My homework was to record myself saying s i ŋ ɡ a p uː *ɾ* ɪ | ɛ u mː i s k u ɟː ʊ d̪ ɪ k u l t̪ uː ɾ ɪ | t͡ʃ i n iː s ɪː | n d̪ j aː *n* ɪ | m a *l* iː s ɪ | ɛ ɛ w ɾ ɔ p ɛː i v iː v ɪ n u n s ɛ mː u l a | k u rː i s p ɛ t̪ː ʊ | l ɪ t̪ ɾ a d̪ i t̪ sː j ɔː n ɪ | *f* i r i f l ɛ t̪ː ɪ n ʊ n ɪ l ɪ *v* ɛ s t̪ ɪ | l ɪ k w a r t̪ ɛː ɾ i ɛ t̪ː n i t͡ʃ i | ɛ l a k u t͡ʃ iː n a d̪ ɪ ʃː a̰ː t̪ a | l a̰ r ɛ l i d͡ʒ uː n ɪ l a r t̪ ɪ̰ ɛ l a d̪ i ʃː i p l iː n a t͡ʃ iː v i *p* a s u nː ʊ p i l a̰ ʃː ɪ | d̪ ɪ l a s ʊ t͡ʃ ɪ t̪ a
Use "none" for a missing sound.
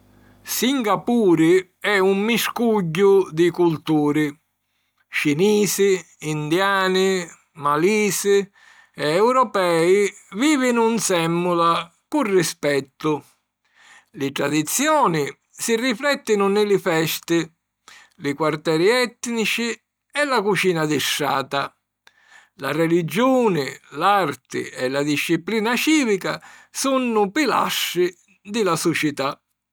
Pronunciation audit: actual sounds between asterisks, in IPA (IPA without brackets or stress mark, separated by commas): ɾ, n, l, s, f, k